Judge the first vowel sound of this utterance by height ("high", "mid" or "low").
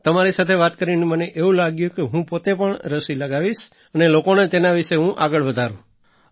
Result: mid